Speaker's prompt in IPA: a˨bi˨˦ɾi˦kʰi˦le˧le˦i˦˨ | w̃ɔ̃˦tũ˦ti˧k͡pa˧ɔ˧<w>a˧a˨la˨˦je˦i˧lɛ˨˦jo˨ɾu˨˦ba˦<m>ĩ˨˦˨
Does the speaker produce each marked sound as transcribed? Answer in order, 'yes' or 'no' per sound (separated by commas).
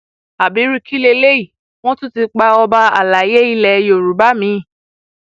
no, yes